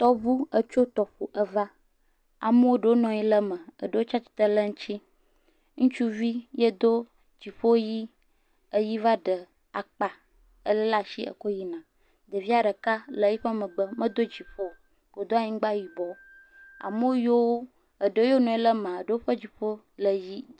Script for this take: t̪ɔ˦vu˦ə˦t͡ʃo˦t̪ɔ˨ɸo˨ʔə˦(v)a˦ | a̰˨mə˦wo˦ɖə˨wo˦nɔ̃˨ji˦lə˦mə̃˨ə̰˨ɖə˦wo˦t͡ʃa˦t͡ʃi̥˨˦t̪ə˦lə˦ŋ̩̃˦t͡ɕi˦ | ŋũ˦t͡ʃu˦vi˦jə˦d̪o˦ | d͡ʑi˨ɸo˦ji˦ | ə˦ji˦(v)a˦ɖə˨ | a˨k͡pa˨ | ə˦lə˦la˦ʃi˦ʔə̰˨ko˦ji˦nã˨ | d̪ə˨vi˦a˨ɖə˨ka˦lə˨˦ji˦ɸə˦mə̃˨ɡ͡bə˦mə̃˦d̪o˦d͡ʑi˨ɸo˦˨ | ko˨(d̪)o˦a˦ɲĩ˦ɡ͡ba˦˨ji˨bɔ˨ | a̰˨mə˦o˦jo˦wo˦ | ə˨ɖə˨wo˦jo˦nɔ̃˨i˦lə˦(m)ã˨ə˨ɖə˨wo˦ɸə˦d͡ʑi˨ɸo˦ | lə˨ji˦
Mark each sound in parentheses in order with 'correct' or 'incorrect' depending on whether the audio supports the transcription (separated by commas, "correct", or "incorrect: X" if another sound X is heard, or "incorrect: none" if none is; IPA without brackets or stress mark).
correct, correct, correct, correct